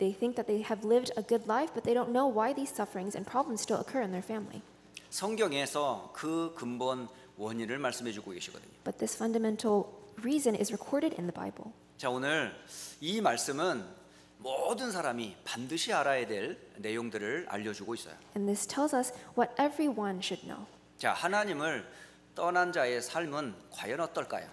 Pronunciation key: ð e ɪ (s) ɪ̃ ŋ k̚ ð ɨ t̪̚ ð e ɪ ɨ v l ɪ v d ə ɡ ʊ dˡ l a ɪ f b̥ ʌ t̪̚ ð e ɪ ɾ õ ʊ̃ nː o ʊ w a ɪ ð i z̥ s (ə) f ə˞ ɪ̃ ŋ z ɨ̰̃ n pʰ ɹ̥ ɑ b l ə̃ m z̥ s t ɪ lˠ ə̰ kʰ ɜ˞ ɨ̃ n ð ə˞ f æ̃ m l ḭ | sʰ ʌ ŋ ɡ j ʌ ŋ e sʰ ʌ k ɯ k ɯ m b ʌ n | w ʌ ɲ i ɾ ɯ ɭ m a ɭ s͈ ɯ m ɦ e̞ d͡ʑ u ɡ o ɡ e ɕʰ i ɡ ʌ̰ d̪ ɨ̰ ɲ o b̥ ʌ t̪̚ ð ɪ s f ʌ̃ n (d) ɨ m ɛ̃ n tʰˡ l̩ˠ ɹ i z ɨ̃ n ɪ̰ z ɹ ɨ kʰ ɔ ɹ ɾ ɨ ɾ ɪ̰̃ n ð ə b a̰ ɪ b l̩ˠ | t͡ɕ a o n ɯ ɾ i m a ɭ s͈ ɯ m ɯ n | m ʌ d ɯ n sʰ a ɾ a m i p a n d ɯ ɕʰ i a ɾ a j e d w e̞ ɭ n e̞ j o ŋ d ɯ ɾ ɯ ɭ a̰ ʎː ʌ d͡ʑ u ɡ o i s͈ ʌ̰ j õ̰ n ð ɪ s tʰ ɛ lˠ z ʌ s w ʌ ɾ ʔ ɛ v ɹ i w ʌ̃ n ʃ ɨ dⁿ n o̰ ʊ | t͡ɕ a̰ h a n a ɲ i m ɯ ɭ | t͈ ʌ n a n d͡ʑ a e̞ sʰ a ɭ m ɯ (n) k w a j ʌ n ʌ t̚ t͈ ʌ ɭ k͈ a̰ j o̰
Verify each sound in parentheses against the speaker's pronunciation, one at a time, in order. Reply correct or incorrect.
incorrect, incorrect, correct, correct

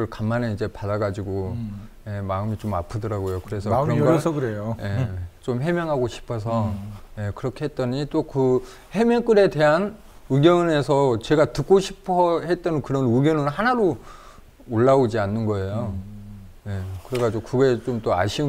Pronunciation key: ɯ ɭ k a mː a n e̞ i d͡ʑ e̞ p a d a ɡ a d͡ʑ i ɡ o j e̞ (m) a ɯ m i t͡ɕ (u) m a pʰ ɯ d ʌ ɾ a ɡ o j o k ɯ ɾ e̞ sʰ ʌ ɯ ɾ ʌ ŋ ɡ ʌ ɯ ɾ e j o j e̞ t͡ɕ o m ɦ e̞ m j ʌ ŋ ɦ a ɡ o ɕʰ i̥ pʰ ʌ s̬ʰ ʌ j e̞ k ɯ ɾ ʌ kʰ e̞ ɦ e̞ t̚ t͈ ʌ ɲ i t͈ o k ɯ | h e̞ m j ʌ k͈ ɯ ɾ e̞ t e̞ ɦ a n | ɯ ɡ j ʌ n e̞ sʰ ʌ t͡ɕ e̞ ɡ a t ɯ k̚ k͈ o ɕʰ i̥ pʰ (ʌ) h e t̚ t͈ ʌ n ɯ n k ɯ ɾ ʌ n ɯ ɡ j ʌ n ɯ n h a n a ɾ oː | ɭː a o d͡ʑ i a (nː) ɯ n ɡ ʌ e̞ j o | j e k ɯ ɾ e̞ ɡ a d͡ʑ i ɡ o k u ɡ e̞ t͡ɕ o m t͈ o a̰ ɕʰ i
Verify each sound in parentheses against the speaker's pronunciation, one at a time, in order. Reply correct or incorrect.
correct, incorrect, correct, correct

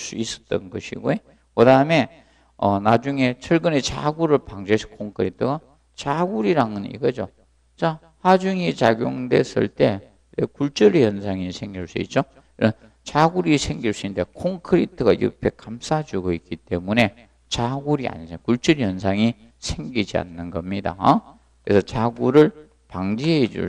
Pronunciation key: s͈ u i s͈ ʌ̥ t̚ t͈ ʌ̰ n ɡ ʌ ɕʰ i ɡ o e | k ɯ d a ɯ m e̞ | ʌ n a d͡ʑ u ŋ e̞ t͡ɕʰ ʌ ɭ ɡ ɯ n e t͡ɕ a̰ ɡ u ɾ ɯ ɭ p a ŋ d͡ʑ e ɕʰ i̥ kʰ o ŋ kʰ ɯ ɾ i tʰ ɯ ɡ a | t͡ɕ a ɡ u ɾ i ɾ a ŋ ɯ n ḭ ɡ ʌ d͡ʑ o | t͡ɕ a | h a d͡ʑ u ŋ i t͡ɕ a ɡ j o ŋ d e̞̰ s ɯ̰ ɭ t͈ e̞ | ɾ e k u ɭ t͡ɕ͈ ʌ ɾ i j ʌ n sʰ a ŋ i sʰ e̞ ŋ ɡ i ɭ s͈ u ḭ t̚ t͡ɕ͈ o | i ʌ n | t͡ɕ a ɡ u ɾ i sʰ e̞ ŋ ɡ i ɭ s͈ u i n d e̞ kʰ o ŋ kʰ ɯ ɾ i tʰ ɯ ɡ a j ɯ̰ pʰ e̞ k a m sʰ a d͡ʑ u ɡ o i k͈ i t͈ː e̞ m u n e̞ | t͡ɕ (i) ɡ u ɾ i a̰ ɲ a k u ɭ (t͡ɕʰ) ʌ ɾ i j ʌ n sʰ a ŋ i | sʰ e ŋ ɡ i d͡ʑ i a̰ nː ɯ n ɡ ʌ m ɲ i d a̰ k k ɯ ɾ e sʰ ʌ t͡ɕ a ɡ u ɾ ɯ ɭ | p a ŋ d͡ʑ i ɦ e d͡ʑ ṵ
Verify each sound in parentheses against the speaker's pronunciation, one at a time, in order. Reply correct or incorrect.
incorrect, incorrect

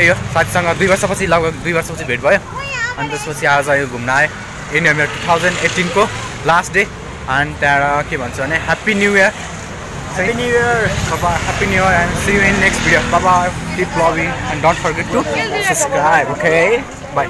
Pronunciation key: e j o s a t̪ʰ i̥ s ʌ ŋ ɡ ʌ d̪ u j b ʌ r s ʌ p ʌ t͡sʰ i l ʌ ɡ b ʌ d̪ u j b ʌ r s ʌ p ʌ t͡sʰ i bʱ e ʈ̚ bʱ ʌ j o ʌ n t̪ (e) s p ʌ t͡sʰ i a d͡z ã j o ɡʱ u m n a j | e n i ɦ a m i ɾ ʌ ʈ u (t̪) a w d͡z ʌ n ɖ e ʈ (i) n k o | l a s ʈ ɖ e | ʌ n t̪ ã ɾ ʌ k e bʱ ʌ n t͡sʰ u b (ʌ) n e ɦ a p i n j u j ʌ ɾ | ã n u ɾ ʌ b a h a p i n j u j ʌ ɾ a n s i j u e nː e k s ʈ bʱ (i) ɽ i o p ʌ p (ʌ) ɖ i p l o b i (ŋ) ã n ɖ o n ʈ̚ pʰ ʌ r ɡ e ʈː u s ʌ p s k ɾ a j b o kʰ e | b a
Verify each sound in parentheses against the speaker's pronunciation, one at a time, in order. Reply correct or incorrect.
correct, incorrect, correct, correct, correct, incorrect, correct

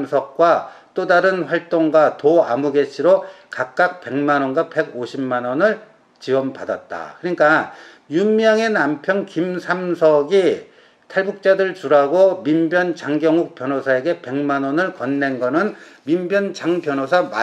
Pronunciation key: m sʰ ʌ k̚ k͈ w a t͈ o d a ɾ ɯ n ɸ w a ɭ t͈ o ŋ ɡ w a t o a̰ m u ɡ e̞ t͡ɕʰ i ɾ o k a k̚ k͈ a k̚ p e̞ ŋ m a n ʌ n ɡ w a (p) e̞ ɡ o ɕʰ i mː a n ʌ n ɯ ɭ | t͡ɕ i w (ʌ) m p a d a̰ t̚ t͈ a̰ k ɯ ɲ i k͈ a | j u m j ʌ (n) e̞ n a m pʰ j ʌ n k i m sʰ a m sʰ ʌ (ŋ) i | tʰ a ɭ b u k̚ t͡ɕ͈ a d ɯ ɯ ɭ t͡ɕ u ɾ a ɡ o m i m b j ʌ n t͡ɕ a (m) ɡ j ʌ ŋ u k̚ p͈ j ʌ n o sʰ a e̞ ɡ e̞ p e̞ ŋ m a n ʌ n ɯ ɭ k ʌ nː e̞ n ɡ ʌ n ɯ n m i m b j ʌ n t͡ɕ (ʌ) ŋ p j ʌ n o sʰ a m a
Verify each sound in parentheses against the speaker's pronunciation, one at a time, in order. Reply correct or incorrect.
correct, correct, incorrect, incorrect, incorrect, incorrect

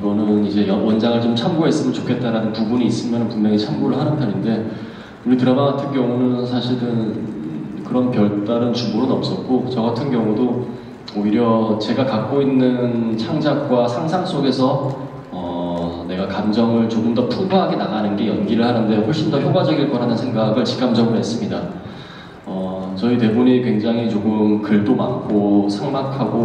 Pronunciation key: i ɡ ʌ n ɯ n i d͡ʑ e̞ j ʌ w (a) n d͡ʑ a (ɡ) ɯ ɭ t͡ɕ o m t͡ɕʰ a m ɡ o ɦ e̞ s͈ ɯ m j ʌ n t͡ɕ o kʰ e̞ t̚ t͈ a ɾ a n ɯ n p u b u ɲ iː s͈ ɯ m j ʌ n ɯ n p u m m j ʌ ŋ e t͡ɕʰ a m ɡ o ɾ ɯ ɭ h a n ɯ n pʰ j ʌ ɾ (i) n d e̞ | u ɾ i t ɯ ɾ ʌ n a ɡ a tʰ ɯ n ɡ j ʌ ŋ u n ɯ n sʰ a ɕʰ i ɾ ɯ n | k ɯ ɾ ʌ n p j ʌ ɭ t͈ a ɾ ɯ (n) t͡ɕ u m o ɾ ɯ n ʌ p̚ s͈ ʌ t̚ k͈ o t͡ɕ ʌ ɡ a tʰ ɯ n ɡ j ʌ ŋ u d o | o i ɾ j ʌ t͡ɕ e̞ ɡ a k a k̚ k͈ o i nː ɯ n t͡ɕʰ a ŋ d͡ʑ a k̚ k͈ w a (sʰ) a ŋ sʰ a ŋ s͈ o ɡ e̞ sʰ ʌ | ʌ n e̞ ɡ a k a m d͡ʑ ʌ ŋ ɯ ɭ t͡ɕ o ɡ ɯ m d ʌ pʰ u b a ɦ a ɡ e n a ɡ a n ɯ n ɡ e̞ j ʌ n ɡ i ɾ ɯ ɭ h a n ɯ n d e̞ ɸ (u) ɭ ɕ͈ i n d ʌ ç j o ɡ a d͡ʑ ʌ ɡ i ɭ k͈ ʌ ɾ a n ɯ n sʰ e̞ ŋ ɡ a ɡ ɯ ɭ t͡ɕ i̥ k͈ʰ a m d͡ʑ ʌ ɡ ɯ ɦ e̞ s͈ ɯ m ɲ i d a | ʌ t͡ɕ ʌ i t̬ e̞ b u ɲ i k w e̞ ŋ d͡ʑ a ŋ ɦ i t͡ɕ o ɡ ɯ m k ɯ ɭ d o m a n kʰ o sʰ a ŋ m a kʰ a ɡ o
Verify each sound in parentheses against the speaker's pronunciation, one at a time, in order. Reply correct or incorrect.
incorrect, incorrect, correct, correct, correct, incorrect

